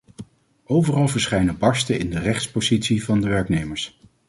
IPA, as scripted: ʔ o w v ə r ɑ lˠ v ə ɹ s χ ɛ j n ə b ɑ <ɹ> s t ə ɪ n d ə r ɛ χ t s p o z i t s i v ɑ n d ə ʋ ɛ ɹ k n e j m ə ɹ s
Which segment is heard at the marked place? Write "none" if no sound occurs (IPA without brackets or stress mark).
ɹ